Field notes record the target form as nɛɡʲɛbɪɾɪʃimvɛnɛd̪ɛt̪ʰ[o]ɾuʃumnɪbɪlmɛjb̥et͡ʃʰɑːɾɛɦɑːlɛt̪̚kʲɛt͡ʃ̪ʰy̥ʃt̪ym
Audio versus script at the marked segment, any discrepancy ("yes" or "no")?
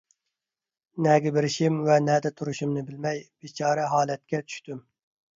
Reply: yes